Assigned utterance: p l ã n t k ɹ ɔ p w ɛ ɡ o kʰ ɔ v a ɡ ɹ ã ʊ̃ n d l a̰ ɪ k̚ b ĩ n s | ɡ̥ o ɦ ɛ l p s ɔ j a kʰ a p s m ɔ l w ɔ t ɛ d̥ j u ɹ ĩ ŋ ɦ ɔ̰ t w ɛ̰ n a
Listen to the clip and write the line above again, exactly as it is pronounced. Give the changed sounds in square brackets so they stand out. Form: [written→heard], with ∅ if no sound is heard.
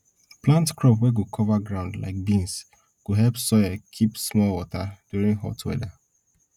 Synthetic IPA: p l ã n t k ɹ ɔ p w ɛ ɡ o kʰ ɔ v a ɡ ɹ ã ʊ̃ n d l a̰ ɪ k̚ b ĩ n s | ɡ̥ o ɦ ɛ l p s ɔ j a kʰ [a→i] p s m ɔ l w ɔ t [ɛ→a] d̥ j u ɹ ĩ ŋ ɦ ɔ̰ t w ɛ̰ [n→d] a